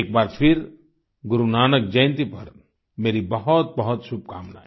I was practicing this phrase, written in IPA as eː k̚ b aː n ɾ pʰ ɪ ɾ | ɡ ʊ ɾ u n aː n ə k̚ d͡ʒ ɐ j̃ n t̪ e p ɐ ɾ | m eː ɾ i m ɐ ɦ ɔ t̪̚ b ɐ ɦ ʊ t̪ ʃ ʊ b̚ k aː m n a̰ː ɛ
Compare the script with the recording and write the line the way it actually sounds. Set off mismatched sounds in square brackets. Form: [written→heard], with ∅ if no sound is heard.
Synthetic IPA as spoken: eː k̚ b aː [n→∅] ɾ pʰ ɪ ɾ | ɡ ʊ ɾ u n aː n ə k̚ d͡ʒ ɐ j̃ n t̪ [e→i] p ɐ ɾ | m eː ɾ i [m→b] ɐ ɦ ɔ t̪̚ b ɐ ɦ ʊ t̪ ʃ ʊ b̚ k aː m n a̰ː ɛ